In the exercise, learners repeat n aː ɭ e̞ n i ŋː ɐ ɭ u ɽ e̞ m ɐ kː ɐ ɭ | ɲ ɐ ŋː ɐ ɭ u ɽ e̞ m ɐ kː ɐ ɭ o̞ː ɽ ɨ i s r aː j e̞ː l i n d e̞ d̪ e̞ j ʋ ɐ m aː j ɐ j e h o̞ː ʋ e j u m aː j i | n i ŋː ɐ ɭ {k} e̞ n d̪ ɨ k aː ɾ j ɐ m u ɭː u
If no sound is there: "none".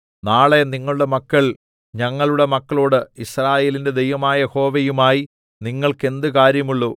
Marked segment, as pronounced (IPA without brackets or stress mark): k